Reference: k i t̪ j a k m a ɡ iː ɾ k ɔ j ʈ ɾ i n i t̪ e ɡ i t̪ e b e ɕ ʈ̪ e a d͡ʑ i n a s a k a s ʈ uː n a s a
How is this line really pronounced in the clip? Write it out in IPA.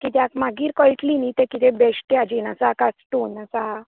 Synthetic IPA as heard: k i t̪ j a k m a ɡ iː ɾ k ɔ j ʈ l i n i t̪ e k i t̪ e b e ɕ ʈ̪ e a d͡ʑ i n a s a k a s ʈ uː n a s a